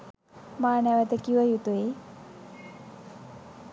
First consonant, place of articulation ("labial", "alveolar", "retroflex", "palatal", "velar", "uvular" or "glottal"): labial